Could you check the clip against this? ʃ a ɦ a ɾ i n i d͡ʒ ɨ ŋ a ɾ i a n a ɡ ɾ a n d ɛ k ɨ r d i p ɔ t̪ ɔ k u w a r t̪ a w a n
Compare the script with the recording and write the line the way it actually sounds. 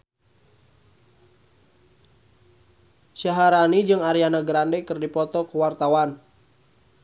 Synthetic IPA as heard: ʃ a ɦ a ɾ a n i d͡ʒ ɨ ŋ a ɾ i a n a ɡ ɾ a n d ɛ k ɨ r d i p ɔ t̪ ɔ k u w a r t̪ a w a n